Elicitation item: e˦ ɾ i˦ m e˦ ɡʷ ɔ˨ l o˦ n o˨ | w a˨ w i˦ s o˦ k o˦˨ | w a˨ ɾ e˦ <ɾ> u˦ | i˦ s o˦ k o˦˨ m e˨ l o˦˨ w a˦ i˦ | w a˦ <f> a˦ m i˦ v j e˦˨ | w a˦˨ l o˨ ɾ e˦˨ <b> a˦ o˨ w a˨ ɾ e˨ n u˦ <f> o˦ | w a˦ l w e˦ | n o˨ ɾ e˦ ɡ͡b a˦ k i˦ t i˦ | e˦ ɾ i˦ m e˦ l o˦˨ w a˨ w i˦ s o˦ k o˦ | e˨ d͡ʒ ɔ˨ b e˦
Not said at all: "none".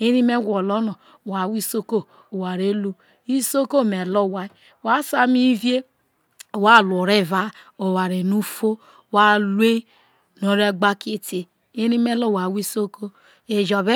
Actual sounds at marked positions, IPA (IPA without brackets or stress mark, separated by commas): l, s, v, f